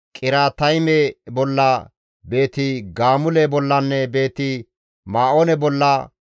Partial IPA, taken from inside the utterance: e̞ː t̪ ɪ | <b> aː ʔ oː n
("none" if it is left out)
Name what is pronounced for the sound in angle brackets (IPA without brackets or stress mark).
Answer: m